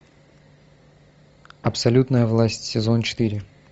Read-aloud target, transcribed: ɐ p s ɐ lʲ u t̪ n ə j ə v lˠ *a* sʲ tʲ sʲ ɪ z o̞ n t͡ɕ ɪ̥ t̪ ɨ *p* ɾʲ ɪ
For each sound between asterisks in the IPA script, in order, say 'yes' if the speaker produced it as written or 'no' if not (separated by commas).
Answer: yes, no